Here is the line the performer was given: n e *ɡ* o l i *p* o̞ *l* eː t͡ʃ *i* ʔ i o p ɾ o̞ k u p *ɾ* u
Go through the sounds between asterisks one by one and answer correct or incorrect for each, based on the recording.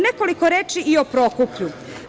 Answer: incorrect: k, incorrect: k, incorrect: ɾ, correct, incorrect: ʎ

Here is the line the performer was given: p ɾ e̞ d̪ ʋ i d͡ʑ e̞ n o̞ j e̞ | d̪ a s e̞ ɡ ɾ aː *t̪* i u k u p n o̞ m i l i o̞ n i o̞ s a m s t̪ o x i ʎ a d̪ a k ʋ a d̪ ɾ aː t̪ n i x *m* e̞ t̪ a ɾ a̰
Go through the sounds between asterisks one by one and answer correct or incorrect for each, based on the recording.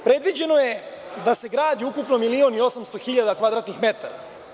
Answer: incorrect: d̪, correct

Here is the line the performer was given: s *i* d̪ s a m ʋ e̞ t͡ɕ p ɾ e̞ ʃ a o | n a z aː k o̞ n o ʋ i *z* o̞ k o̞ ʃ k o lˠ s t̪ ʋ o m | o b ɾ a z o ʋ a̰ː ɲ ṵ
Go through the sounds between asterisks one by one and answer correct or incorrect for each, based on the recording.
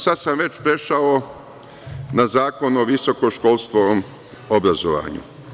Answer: incorrect: a, incorrect: s

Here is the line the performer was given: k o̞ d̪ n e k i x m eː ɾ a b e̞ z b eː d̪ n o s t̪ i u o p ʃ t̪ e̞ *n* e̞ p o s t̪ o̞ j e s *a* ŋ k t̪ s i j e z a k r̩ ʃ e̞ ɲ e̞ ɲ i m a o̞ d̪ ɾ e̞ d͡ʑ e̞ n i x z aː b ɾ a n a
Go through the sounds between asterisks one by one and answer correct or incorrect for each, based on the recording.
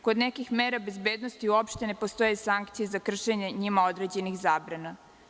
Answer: correct, correct

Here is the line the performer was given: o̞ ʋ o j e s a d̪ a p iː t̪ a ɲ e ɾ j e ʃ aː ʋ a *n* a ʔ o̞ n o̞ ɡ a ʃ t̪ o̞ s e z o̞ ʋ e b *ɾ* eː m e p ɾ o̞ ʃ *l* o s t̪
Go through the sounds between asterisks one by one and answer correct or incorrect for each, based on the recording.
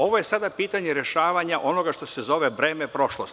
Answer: incorrect: ɲ, correct, correct

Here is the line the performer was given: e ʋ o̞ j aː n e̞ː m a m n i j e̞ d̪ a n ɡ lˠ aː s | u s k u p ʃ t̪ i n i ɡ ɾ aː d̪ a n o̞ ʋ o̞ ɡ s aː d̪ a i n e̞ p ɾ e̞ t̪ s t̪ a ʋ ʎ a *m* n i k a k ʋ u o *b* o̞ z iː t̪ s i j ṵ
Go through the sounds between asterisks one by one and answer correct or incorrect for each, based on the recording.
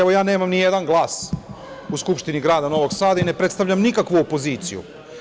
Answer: correct, incorrect: p

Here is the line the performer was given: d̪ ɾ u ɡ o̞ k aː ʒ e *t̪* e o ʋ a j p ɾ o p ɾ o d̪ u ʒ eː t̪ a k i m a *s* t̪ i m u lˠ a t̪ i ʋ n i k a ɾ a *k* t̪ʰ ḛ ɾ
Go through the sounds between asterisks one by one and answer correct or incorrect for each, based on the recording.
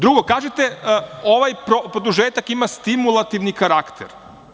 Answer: correct, correct, correct

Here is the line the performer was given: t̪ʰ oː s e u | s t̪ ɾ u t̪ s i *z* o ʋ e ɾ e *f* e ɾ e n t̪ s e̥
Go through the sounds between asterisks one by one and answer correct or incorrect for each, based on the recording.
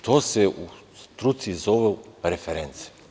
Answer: correct, correct

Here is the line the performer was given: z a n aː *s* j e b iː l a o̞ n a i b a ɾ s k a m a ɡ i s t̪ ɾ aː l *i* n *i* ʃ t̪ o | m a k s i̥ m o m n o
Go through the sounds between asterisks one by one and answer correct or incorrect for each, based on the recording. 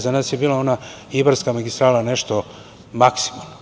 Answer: correct, incorrect: a, incorrect: e

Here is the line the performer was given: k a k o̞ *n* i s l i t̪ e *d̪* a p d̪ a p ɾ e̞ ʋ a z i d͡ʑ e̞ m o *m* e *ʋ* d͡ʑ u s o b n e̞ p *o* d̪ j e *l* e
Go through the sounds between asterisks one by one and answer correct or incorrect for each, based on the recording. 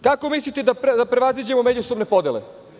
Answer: incorrect: m, correct, correct, incorrect: none, correct, correct

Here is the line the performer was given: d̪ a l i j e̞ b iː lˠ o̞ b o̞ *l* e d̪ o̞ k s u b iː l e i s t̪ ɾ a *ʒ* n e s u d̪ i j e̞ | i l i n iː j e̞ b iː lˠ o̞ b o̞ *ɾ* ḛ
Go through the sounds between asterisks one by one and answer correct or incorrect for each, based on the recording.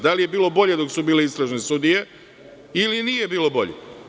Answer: incorrect: ʎ, correct, incorrect: ʎ

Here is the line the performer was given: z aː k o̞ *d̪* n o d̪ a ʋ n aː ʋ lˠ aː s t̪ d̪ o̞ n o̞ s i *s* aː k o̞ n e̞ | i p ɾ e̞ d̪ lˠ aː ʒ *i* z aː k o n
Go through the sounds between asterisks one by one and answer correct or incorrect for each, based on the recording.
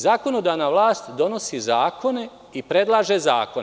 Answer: incorrect: none, incorrect: z, incorrect: e

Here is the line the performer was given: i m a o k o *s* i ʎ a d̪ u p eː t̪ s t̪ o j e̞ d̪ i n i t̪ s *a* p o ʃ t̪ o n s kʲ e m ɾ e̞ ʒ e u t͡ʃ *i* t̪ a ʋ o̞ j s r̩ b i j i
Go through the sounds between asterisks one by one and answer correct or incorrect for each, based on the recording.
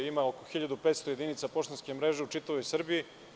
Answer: incorrect: x, correct, correct

